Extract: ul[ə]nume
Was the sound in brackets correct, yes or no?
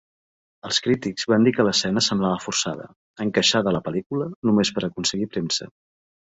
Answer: yes